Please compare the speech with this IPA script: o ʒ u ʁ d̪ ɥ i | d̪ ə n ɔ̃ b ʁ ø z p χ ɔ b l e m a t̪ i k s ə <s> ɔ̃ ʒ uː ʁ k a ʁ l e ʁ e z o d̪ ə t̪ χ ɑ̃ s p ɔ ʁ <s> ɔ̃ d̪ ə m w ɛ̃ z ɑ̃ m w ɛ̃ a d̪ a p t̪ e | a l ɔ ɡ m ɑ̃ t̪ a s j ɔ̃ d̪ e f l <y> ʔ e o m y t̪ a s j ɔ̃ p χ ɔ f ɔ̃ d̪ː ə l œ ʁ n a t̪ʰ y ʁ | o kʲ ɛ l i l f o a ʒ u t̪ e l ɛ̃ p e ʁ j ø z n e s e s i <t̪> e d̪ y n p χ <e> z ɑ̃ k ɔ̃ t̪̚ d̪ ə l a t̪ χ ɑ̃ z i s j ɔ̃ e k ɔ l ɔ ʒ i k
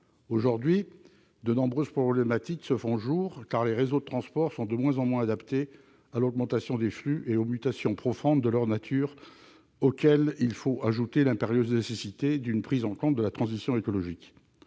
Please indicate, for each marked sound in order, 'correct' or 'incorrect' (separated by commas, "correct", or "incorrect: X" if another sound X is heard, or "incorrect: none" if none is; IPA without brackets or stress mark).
incorrect: f, correct, correct, correct, incorrect: i